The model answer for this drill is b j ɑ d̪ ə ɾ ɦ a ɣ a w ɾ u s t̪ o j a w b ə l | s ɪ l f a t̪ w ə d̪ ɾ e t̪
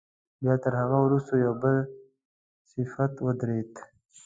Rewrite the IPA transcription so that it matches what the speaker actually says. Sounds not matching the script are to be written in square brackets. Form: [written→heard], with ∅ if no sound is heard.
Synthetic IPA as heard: b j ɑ [d̪→t̪] ə ɾ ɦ a ɣ a w ɾ u s t̪ o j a w b ə l | s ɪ [l→∅] f a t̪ w ə d̪ ɾ e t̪